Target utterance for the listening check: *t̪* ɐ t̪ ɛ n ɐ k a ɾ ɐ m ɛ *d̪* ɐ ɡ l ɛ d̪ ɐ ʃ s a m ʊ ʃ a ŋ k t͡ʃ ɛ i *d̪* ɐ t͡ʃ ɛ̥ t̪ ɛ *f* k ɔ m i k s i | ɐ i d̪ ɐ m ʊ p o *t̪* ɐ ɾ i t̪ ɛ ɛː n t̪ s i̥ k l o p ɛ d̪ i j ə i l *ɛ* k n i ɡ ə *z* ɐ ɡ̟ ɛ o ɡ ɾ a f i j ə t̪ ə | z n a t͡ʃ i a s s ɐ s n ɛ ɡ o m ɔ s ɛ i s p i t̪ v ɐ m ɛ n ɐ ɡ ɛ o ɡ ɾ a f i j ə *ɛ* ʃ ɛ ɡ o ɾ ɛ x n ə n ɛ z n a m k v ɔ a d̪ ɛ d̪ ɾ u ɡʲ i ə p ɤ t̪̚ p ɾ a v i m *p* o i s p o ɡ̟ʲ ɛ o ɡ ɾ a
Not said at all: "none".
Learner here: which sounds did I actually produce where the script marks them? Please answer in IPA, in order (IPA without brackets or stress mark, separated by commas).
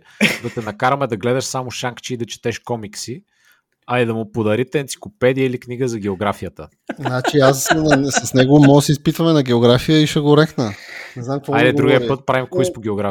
d̪, d̪, d̪, ʃ, d̪, i, z, i, k